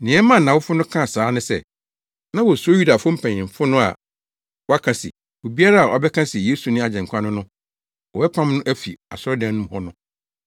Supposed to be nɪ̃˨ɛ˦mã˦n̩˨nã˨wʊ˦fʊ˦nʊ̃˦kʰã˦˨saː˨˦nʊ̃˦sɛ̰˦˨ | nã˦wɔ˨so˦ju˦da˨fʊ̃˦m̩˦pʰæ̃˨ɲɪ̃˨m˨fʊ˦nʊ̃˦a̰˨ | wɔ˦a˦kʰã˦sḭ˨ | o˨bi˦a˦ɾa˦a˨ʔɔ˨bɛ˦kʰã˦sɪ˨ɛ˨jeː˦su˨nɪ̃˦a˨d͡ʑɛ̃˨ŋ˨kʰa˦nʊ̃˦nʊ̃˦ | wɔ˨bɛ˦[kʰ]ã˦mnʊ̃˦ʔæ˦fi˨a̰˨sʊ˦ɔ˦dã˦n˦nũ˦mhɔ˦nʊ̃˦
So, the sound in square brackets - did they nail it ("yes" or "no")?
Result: no